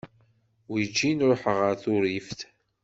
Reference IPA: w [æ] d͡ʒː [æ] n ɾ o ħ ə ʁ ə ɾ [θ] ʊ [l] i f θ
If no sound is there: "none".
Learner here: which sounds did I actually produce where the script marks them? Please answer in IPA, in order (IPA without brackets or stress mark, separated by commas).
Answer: i, i, θ, ɾ